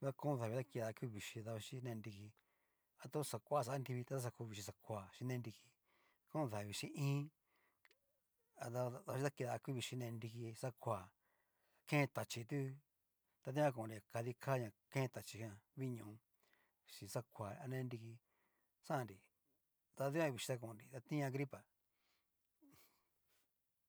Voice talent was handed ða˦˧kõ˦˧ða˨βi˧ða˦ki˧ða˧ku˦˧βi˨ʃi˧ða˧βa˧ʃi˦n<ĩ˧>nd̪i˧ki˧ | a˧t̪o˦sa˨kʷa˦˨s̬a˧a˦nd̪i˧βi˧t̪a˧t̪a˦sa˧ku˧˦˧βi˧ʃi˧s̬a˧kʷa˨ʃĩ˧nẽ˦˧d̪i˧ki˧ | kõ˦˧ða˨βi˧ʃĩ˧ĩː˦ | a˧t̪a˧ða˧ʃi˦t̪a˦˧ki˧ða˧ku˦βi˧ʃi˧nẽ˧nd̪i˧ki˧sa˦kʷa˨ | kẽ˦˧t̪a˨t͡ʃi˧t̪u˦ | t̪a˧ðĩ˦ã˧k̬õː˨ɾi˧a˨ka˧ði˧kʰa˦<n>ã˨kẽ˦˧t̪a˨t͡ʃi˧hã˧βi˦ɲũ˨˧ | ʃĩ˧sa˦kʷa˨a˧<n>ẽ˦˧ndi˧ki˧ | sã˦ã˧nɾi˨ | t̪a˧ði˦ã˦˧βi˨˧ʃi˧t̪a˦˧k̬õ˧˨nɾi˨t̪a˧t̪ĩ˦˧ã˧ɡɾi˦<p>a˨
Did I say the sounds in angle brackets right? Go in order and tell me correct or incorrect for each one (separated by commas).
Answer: incorrect, incorrect, correct, correct